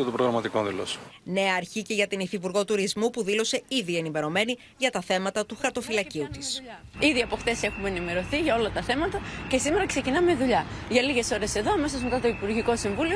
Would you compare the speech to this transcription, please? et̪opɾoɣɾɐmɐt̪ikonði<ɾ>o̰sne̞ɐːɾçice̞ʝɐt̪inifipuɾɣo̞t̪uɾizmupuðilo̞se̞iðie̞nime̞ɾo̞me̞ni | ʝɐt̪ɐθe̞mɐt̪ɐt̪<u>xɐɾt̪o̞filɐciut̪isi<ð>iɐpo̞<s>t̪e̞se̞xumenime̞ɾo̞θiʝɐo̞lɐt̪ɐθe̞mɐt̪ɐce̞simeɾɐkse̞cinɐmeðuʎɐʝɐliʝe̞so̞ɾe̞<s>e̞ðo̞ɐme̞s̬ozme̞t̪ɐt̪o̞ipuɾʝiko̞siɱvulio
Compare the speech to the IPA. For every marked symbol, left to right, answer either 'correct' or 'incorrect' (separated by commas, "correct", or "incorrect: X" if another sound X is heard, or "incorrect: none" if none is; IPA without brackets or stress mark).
incorrect: l, correct, correct, incorrect: x, correct